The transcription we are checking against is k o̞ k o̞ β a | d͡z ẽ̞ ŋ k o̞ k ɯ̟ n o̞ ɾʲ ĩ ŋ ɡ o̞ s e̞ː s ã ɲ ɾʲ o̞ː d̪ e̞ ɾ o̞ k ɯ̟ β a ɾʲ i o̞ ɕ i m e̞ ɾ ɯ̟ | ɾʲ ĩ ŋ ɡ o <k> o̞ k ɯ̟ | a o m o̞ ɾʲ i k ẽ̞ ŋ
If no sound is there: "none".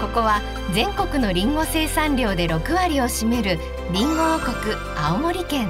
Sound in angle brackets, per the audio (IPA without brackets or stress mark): k